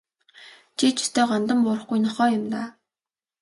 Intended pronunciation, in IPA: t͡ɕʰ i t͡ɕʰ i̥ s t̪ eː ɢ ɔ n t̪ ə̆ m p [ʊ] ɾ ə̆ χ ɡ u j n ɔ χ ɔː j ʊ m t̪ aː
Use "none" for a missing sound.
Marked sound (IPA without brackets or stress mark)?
ʊː